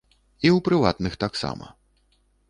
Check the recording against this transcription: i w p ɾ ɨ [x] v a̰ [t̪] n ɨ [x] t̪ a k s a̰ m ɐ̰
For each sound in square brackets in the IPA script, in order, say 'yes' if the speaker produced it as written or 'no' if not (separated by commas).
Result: no, yes, yes